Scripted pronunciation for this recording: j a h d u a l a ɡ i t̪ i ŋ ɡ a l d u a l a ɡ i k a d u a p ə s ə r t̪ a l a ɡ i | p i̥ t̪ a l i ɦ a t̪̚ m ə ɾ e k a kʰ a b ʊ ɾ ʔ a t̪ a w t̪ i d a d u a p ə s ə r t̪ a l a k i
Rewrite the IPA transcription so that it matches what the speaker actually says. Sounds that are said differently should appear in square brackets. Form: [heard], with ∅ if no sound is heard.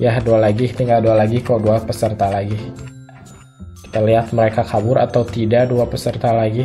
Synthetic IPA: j a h d u a l a ɡ i t̪ i ŋ ɡ a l d u a l a ɡ i k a d u a p ə s ə r t̪ a l a ɡ i | [k] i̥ t̪ a l i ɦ a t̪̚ m ə ɾ e k a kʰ a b ʊ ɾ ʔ a t̪ a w t̪ i d a d u a p ə s ə r t̪ a l a [ɡ] i